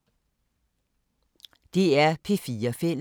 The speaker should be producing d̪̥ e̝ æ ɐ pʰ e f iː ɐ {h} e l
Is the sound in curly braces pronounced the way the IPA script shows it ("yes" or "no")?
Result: no